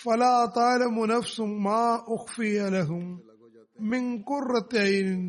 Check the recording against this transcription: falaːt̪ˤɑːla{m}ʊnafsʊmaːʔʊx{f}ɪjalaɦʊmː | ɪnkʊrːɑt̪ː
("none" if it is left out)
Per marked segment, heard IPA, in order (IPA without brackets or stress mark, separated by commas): m, f